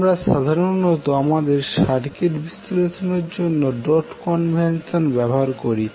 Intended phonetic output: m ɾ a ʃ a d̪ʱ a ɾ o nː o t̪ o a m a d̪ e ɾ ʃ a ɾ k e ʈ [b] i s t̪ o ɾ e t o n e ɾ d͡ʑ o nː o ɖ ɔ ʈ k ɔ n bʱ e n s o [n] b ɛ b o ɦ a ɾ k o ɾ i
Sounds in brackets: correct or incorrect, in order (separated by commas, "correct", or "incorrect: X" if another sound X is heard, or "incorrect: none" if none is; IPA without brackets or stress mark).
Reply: correct, correct